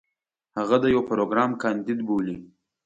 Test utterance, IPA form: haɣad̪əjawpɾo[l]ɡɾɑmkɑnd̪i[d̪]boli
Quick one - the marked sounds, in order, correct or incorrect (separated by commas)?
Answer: incorrect, correct